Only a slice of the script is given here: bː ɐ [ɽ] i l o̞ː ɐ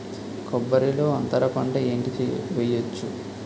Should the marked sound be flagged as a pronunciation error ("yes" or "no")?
yes